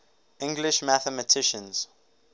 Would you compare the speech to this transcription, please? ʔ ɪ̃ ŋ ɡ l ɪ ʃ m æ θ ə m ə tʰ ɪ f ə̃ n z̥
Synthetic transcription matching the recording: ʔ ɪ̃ ŋ ɡ l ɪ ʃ m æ θ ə m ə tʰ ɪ ʃ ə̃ n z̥